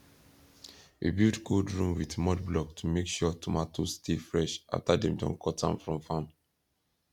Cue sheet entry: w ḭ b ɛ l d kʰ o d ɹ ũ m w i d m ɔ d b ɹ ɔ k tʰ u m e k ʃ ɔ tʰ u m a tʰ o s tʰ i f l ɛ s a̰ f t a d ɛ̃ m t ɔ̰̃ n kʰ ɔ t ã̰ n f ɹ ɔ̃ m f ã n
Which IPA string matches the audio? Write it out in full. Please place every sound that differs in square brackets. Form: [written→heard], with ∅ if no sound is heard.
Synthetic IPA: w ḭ b [ɛ→i] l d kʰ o d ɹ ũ m w i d m ɔ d b [ɹ→l] ɔ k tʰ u m e k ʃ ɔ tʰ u m a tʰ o s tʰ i f [l→ɹ] ɛ [s→ʃ] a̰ f t a d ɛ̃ m [t→d] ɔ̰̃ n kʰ ɔ t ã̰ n f ɹ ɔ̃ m f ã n